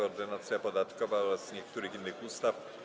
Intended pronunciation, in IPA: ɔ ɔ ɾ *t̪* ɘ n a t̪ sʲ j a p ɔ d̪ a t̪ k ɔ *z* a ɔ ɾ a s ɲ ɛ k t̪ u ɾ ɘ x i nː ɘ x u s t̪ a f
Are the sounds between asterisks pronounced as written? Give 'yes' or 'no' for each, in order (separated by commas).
no, no